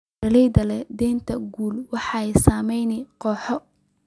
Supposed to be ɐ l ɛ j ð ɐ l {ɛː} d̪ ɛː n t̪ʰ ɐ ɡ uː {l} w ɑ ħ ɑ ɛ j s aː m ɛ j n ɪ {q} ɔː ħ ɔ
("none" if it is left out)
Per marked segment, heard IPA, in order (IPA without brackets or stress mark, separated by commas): ɛ, l, q